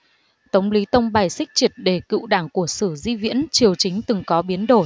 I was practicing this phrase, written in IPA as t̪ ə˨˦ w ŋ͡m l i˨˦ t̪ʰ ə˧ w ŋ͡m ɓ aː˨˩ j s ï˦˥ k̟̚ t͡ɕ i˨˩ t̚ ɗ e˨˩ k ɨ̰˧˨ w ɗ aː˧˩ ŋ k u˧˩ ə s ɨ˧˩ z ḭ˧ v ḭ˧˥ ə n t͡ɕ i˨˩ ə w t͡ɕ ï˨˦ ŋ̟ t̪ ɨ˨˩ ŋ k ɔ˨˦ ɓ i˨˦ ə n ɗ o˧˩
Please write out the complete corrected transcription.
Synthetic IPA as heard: t̪ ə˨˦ w ŋ͡m l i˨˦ t̪ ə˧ w ŋ͡m ɓ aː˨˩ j s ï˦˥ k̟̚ t͡ɕ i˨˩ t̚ ɗ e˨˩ k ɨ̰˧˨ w ɗ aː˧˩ ŋ k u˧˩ ə s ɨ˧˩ z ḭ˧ v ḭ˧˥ ə n t͡ɕ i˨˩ ə w t͡ɕ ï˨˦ ŋ̟ t̪ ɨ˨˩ ŋ k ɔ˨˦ ɓ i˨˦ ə n ɗ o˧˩